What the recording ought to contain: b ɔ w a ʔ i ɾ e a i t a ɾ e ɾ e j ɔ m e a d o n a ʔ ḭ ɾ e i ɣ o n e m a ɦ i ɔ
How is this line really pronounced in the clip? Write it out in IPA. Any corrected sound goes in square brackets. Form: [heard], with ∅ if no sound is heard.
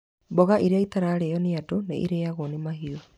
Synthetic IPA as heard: b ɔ [ɣ] a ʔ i ɾ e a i t a ɾ [a] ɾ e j ɔ [n] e a d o n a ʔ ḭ ɾ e [a] ɣ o n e m a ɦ i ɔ